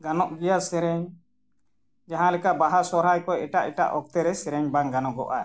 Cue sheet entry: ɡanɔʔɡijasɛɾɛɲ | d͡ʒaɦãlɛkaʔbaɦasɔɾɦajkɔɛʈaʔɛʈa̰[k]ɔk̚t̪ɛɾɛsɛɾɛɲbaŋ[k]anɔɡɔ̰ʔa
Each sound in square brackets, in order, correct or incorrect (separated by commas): incorrect, incorrect